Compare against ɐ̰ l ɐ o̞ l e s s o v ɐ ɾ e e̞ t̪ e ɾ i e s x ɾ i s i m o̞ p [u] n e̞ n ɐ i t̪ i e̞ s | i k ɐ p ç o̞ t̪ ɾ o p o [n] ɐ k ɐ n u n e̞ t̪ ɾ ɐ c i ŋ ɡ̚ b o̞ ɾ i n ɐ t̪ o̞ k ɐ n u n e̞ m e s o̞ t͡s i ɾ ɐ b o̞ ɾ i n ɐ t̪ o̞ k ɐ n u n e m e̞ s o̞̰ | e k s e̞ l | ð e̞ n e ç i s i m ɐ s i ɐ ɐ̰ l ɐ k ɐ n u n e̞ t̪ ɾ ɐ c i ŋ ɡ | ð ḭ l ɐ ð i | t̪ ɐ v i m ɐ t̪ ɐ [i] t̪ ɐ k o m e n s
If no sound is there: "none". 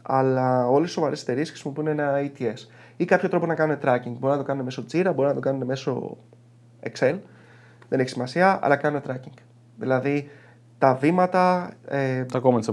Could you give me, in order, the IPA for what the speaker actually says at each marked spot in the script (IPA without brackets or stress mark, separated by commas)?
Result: u, n, e